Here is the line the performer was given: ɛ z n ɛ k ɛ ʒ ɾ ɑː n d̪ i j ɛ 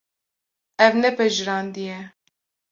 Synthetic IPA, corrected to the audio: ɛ v n ɛ p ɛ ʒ ɾ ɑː n d̪ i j ɛ